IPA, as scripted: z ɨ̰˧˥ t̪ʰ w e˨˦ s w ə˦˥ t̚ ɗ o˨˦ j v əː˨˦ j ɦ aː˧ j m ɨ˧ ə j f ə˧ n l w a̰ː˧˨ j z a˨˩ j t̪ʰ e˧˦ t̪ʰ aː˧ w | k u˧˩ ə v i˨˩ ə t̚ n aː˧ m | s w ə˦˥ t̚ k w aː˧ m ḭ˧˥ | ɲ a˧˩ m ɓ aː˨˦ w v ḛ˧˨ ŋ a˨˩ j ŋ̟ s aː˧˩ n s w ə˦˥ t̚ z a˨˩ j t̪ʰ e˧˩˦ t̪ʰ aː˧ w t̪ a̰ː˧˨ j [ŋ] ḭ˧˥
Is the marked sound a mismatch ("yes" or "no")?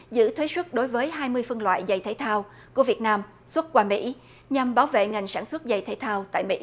yes